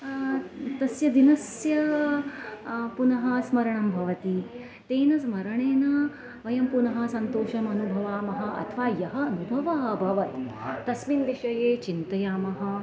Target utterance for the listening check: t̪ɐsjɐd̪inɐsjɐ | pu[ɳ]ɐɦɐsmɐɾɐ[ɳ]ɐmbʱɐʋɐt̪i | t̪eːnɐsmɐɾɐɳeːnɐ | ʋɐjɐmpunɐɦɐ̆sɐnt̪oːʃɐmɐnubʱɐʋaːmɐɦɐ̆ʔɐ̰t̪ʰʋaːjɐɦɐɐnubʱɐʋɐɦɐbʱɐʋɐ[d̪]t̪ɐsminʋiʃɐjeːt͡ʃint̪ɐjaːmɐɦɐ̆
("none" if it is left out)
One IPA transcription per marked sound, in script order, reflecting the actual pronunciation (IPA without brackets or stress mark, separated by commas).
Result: n, ɳ, t̪